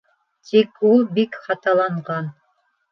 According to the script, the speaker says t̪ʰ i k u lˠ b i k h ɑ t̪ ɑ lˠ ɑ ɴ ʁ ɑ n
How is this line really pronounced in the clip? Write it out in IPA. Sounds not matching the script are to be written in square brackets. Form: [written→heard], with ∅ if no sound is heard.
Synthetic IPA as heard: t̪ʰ i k u lˠ b i k [h→χ] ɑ t̪ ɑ lˠ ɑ ɴ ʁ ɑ n